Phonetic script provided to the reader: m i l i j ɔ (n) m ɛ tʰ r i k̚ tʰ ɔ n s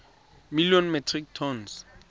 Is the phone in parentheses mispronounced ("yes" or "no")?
no